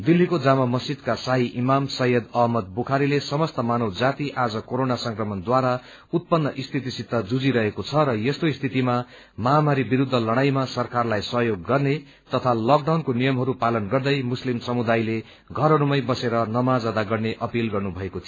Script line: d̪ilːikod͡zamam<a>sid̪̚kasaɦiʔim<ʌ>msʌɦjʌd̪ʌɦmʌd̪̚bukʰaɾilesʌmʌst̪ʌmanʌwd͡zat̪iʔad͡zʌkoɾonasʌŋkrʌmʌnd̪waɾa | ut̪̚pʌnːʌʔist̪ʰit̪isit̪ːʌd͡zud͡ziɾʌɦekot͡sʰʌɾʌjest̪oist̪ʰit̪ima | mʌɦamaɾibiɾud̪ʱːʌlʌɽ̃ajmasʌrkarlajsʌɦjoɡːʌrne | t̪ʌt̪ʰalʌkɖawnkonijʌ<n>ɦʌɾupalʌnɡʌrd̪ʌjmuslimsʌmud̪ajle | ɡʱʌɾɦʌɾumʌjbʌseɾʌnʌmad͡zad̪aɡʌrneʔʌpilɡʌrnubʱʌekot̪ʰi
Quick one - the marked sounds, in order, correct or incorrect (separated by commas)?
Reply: incorrect, incorrect, incorrect